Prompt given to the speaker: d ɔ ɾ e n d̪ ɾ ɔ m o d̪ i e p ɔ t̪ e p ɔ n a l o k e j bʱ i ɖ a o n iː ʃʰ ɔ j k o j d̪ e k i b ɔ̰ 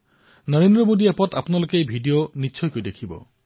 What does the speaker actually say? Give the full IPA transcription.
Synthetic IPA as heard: n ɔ ɾ e n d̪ ɾ ɔ m o d̪ i e p ɔ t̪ a p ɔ n a l o k e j bʱ i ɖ i o n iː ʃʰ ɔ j k o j d̪ e kʰ i b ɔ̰